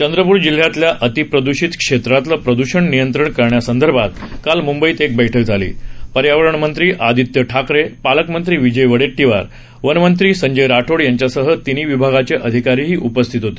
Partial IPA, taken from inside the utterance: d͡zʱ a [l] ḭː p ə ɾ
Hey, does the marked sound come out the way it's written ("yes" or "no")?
yes